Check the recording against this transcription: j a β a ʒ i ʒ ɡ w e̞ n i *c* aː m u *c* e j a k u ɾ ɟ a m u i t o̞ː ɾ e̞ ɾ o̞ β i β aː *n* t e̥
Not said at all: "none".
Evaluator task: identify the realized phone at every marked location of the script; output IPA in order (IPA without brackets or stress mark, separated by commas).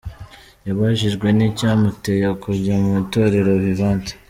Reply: c, t, n